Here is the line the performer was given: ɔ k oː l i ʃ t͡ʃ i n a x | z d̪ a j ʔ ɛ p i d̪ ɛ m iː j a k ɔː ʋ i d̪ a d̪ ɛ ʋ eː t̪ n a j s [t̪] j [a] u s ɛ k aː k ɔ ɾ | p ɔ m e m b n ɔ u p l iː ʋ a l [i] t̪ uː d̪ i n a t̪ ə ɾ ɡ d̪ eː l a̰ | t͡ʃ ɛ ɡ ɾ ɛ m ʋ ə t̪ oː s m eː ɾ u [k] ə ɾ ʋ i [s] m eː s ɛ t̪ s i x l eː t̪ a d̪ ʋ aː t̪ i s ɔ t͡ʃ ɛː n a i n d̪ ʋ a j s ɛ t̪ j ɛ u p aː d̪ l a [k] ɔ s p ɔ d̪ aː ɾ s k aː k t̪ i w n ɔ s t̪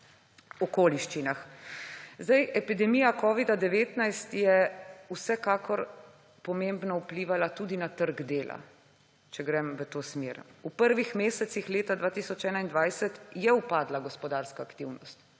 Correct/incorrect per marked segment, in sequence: correct, incorrect: ɛ, incorrect: a, incorrect: p, incorrect: x, incorrect: ɡ

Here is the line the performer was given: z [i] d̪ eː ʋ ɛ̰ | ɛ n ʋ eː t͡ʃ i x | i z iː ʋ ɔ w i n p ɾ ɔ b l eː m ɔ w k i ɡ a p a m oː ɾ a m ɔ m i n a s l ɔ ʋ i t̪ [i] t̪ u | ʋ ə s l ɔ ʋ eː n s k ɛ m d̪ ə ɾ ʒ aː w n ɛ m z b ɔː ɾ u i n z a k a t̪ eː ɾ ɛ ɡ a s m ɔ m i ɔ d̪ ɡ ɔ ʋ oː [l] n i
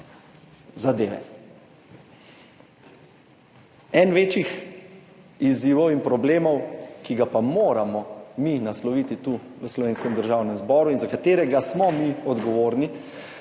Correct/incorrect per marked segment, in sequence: incorrect: a, correct, incorrect: ɾ

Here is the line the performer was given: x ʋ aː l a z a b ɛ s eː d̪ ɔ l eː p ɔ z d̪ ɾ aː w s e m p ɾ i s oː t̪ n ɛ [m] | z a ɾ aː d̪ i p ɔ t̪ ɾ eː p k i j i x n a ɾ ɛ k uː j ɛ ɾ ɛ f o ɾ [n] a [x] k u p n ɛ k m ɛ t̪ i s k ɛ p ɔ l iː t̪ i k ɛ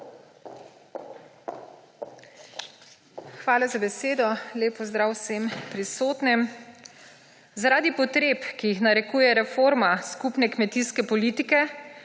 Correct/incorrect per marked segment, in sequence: correct, incorrect: m, incorrect: s

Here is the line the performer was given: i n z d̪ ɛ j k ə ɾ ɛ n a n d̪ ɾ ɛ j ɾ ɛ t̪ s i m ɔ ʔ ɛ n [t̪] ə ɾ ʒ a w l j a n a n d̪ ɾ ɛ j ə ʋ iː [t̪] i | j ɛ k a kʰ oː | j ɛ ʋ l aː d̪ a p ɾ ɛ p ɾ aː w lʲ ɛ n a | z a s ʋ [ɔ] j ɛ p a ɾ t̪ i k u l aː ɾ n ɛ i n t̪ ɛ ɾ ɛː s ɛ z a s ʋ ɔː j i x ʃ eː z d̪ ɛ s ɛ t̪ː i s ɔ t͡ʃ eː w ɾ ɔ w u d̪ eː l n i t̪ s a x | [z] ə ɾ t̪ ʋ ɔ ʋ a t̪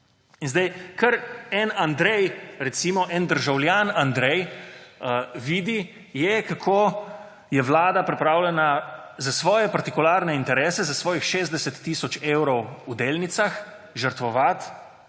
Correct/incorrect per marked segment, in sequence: incorrect: d̪, incorrect: d̪, incorrect: ɔː, incorrect: ʒ

